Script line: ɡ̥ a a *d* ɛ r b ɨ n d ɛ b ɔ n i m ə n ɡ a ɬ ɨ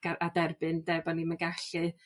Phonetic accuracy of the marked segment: correct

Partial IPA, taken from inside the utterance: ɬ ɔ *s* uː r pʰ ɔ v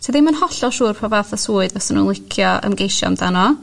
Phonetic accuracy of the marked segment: incorrect: ʃ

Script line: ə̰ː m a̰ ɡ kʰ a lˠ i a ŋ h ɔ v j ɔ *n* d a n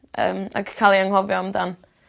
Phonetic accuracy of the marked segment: incorrect: m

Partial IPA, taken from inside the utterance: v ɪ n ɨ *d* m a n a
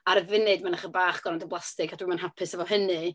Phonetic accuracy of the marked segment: correct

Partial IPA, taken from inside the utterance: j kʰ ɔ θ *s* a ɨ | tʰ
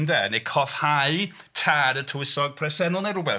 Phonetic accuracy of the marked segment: incorrect: h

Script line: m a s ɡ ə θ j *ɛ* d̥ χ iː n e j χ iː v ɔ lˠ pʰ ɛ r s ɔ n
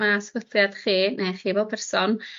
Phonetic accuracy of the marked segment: incorrect: a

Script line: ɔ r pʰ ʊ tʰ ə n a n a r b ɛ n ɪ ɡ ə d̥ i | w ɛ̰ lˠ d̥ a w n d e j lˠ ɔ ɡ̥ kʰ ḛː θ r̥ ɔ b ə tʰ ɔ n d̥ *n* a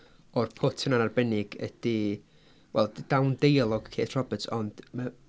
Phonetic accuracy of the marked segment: incorrect: m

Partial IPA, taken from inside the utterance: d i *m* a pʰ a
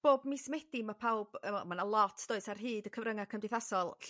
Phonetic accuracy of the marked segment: correct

